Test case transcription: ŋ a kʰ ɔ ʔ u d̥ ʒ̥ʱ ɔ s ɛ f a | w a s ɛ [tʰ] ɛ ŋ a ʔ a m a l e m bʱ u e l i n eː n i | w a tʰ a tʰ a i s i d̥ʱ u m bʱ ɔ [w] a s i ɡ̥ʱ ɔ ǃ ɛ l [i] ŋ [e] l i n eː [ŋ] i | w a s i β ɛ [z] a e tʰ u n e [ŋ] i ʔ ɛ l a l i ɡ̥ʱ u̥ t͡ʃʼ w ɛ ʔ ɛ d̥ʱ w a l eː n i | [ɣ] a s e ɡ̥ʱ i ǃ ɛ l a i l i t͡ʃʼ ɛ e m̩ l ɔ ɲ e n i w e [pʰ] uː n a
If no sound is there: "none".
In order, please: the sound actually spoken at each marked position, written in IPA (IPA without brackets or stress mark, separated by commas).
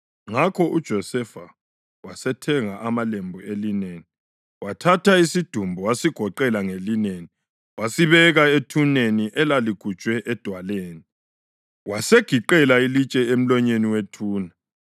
tʰ, w, a, e, n, ɣ, n, w, tʰ